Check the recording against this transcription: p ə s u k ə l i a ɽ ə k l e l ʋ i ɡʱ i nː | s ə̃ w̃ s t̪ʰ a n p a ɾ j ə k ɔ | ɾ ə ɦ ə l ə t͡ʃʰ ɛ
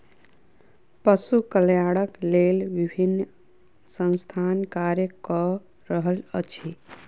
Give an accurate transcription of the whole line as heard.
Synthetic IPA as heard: p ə s u k ə l j a ɽ ə k l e l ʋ i bʱ i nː | s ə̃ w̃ s t̪ʰ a n k a ɾ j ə k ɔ | ɾ ə ɦ ə l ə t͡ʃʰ i